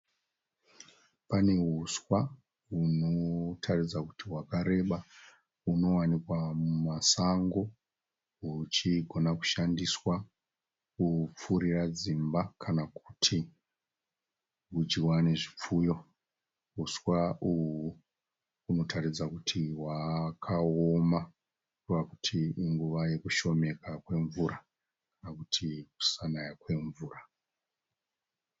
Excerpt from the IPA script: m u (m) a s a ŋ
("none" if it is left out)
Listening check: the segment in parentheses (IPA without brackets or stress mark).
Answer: m